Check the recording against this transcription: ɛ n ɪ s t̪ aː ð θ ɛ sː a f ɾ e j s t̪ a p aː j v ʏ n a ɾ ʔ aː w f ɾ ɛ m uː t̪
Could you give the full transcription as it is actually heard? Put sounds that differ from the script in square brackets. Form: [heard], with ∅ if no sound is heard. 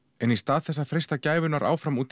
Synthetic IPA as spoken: ɛ n [i] s t̪ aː ð θ ɛ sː a f ɾ e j s t̪ a [c] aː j v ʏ n a ɾ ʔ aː w f ɾ [a] m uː t̪